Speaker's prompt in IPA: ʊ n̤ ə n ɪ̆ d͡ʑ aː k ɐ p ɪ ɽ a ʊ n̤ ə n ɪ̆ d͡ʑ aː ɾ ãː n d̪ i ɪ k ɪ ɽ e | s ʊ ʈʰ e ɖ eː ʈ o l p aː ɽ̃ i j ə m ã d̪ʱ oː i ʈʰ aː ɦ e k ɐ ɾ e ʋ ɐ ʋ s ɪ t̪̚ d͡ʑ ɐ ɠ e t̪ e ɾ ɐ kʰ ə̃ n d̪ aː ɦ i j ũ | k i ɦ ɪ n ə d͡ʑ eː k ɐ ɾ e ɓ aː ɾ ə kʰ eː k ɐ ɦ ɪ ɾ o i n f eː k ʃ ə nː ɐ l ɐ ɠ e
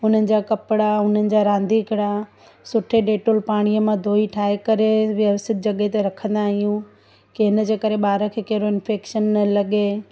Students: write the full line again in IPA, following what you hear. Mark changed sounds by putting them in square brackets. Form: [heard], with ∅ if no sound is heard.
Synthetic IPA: ʊ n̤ ə n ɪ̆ d͡ʑ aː k ɐ p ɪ ɽ a ʊ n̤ ə n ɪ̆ d͡ʑ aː ɾ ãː n d̪ i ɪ k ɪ ɽ [a] | s ʊ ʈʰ e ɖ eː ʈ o l p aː ɽ̃ i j ə m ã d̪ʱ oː i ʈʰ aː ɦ e k ɐ ɾ e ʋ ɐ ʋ s ɪ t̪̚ d͡ʑ ɐ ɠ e t̪ e ɾ ɐ kʰ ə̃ n d̪ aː ɦ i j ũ | k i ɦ ɪ n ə d͡ʑ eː k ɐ ɾ e ɓ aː ɾ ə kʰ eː k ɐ ɦ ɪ ɾ o [ɪ] n f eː k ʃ ə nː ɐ l ɐ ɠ e